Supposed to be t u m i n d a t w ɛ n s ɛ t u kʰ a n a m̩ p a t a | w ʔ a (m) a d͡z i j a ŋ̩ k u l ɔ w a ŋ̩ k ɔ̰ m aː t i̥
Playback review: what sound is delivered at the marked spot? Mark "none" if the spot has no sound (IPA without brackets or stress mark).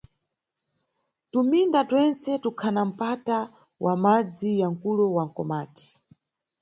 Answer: m